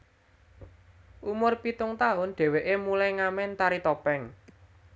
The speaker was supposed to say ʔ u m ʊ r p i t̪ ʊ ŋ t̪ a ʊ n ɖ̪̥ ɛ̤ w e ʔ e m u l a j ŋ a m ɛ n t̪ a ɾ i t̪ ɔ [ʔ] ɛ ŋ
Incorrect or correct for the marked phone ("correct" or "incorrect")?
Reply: incorrect